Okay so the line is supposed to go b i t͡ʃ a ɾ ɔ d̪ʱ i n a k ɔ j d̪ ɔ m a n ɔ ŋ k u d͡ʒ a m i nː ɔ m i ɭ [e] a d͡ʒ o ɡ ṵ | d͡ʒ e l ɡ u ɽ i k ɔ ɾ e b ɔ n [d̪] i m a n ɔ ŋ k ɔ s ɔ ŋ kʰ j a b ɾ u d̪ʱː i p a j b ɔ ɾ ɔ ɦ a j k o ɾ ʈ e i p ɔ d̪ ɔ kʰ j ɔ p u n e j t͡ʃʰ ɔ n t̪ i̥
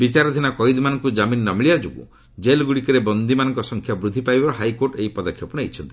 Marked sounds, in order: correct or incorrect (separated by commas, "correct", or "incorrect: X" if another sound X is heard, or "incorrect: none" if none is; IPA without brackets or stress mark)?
incorrect: i, correct